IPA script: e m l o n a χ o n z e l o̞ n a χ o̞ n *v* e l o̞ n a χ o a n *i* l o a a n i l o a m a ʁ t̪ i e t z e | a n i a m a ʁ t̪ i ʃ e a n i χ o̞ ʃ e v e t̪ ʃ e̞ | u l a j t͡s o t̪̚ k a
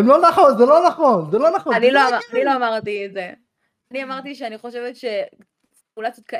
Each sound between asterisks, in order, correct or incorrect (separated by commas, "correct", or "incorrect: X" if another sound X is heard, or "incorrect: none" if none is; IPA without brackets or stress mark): incorrect: z, correct